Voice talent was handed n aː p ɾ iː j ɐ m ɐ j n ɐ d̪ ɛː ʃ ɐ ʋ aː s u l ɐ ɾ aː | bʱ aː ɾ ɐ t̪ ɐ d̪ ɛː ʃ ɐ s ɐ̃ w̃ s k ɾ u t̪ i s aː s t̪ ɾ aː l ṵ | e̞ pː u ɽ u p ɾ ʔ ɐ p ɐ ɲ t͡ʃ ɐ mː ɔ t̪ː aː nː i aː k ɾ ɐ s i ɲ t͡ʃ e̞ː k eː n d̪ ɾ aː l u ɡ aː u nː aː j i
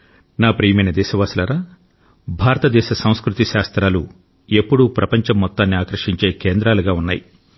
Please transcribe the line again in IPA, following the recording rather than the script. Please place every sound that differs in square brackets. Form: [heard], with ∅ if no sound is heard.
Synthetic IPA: n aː p ɾ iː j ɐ m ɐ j n ɐ d̪ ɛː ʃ ɐ ʋ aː s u l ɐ ɾ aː | bʱ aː ɾ ɐ t̪ ɐ d̪ ɛː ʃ ɐ s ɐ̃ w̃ s k ɾ u t̪ i [ʃ] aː s t̪ ɾ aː l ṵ | e̞ pː u ɽ u p ɾ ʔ ɐ p ɐ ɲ t͡ʃ ɐ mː ɔ t̪ː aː nː i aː k ɾ ɐ [ʂ] i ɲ t͡ʃ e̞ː k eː n d̪ ɾ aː l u ɡ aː u nː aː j i